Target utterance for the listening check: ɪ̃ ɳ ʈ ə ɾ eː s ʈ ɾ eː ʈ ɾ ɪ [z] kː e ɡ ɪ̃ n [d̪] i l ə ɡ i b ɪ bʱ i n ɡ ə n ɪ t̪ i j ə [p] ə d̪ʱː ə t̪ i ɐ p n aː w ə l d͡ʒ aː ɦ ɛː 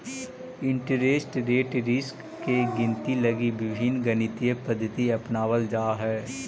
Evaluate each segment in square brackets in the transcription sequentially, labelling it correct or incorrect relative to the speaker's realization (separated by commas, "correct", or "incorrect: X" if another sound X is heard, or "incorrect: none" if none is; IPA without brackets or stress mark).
incorrect: s, incorrect: t̪, correct